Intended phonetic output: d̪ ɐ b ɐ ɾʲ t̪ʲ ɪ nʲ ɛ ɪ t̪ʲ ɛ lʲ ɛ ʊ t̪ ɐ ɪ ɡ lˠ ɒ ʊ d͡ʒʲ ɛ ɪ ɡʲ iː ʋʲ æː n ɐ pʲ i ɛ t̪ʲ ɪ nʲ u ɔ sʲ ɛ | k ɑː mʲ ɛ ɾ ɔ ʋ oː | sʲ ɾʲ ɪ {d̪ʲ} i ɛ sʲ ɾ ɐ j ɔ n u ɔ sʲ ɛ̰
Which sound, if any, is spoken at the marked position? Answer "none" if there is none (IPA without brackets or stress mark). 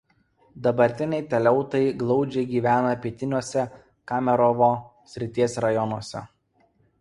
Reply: t̪ʲ